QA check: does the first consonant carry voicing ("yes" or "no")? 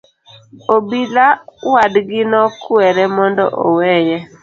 yes